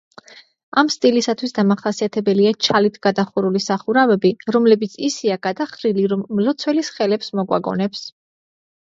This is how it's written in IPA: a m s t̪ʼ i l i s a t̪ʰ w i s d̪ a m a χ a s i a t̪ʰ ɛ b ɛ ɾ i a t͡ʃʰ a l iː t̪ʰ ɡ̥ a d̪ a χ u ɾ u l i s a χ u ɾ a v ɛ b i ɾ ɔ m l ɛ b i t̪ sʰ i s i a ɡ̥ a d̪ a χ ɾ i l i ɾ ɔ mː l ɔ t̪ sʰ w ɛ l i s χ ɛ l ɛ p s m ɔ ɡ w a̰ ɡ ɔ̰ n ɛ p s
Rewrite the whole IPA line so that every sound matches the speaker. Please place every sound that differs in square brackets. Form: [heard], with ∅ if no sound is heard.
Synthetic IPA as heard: a m s t̪ʼ i l i s a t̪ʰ w i s d̪ a m a χ a s i a t̪ʰ ɛ b ɛ [l] i a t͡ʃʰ a l [i] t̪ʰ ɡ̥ a d̪ a χ u ɾ u l i s a χ u ɾ a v ɛ b i ɾ ɔ m l ɛ b i t̪ sʰ i s i a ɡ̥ a d̪ a χ ɾ i l i ɾ ɔ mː l ɔ t̪ sʰ w ɛ l i s χ ɛ l ɛ p s m ɔ ɡ w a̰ ɡ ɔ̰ n ɛ p s